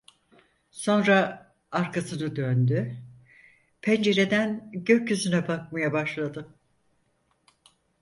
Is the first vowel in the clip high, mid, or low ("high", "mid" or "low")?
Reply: mid